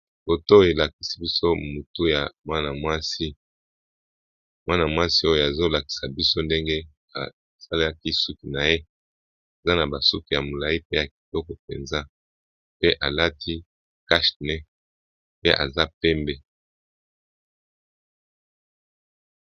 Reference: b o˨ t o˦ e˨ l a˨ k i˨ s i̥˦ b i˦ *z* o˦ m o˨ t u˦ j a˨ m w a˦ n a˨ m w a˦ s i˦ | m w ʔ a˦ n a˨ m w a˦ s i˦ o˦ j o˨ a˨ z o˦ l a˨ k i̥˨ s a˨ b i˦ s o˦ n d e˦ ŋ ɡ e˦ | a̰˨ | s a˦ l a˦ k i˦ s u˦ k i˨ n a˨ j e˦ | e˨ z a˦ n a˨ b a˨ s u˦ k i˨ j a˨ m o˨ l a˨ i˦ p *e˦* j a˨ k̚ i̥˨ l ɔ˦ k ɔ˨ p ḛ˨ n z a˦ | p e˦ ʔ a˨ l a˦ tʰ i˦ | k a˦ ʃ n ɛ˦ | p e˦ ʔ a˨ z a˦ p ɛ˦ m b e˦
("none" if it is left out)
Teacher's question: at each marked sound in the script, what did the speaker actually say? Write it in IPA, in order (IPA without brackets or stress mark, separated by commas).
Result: s, e˦